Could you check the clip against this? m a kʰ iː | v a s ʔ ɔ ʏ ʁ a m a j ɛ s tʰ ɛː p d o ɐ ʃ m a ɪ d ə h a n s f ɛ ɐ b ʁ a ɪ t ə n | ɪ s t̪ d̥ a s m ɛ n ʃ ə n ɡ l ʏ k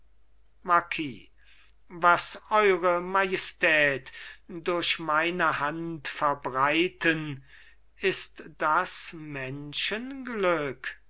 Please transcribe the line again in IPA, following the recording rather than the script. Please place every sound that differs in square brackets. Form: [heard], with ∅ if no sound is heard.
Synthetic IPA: m a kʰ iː | v a s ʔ ɔ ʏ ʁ [ə] m a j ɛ s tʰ ɛː [t] d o ɐ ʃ m a ɪ [n] ə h a n [t] f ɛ ɐ b ʁ a ɪ t ə n | ɪ s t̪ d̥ a s m ɛ n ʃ ə n ɡ l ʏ k